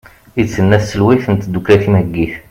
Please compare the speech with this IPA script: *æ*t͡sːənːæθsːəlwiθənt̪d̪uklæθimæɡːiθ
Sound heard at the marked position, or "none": i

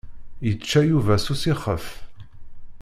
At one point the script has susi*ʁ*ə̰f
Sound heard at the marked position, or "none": χ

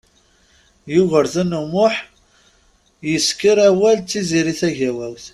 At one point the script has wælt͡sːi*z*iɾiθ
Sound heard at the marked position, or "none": z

